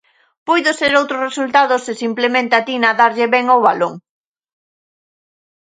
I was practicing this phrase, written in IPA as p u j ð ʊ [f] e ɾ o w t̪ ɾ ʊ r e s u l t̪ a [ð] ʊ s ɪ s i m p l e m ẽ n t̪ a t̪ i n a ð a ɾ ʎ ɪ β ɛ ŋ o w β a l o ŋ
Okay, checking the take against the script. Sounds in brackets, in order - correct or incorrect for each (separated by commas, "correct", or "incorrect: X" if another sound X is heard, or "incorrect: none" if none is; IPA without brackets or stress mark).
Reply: incorrect: s, correct